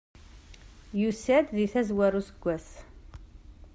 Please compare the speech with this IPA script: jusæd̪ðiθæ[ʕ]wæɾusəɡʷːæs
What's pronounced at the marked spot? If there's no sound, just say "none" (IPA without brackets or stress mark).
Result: z